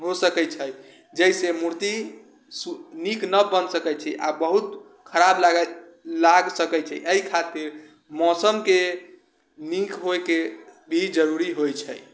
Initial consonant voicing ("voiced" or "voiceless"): voiced